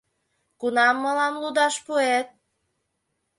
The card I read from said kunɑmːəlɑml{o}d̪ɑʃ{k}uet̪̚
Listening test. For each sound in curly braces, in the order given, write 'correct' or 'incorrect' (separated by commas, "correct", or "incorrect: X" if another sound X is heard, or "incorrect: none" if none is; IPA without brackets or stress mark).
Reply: incorrect: u, incorrect: p